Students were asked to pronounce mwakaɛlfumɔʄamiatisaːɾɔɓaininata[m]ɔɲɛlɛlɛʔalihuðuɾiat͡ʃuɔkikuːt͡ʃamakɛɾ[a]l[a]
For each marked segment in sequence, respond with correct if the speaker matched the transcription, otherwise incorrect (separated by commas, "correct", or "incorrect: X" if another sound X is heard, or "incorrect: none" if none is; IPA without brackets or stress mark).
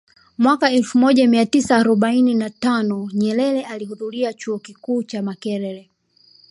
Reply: incorrect: n, incorrect: ɛ, incorrect: ɛ